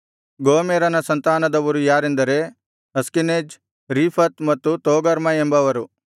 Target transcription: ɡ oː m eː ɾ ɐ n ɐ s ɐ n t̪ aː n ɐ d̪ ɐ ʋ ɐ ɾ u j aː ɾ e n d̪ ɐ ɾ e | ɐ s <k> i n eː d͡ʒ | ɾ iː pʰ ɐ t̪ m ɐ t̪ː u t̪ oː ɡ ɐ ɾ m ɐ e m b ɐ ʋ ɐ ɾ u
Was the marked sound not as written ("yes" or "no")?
no